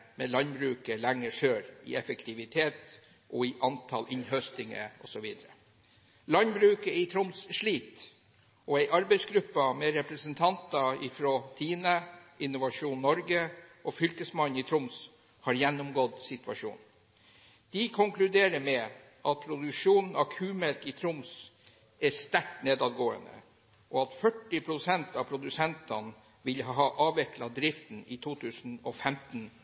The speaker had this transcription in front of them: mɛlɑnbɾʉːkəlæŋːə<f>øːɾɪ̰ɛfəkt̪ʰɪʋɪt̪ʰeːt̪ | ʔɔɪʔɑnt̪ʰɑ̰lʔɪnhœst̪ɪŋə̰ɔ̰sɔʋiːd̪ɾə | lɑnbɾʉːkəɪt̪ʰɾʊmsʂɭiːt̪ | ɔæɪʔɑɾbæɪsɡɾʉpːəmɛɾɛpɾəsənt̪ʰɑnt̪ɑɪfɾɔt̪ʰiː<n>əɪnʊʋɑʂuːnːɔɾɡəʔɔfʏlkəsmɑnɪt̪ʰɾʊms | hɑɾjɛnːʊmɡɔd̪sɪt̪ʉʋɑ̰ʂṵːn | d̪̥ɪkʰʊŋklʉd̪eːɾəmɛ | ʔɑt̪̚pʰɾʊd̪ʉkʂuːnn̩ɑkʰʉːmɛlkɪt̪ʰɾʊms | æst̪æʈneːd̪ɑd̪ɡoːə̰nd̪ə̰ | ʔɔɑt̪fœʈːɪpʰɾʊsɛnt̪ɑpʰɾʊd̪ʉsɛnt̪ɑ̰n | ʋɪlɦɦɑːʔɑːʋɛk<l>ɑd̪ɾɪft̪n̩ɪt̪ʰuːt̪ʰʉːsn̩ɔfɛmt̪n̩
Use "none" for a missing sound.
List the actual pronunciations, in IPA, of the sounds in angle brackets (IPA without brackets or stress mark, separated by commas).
ʂ, n, l